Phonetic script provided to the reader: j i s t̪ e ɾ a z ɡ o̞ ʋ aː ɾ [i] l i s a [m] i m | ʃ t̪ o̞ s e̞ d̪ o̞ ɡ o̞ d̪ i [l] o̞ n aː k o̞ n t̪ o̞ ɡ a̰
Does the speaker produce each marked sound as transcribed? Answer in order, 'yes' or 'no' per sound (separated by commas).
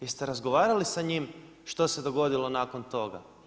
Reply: no, no, yes